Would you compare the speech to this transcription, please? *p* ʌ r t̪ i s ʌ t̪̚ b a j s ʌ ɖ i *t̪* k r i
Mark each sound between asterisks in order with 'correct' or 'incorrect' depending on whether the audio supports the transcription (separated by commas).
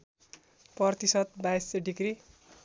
correct, incorrect